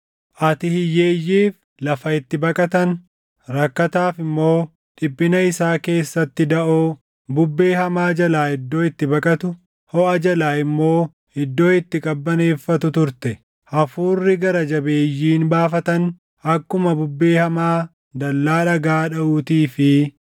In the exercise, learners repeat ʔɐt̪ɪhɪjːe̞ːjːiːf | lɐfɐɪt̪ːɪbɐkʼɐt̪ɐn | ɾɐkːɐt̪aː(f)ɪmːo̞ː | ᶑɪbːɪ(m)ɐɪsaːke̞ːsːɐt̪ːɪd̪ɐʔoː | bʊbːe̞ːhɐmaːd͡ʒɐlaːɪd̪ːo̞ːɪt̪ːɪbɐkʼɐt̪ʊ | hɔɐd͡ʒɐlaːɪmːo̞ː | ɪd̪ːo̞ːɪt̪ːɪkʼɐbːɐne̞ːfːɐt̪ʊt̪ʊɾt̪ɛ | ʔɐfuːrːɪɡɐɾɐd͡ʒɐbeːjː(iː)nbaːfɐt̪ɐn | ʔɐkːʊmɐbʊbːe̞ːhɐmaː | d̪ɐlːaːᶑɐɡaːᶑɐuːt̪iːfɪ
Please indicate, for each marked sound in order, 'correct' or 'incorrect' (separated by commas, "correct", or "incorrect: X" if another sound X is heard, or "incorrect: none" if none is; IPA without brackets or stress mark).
correct, incorrect: n, correct